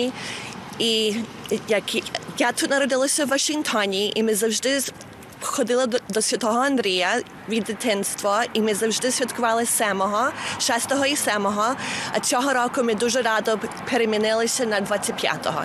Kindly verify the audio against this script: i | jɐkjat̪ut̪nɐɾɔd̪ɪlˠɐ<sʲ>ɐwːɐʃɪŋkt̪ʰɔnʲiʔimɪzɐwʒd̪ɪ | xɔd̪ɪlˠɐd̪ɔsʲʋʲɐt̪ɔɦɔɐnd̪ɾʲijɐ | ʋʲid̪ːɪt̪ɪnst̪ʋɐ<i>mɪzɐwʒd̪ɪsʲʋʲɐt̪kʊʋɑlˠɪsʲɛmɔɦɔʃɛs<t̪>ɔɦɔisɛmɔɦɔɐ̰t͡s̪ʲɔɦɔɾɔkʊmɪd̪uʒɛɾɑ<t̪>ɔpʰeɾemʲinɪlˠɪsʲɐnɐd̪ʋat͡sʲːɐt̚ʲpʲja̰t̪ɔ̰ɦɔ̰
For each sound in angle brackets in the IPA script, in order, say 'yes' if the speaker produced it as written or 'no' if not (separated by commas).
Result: yes, yes, yes, no